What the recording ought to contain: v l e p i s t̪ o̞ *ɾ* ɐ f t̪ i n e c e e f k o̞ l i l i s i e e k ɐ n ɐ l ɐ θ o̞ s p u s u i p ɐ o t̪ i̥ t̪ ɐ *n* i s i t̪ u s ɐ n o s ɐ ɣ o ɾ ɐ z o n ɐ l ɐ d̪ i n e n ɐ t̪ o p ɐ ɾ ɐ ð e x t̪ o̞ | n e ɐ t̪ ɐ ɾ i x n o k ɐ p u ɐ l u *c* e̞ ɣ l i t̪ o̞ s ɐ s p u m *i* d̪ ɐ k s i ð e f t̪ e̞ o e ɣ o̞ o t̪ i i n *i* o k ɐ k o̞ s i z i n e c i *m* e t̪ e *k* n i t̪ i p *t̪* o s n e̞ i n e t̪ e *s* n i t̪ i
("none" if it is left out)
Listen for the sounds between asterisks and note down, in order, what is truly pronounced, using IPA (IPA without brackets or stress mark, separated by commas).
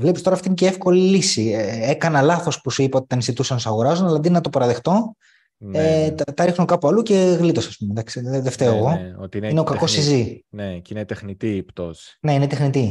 ɾ, n, c, e, e, n, x, t̪, x